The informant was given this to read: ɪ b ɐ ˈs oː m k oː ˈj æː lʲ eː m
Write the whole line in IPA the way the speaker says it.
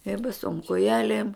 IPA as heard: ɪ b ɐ ˈs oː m k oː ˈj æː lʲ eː m